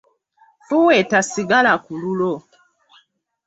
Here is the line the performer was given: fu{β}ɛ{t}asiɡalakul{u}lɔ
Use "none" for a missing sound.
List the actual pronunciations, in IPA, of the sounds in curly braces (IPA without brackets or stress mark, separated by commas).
w, t, u